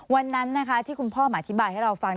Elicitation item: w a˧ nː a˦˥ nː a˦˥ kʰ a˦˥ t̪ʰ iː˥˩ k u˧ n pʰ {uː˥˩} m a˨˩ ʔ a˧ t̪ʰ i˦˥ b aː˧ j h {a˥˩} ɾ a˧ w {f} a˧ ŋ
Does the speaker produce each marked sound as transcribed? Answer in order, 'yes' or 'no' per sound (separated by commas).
no, yes, yes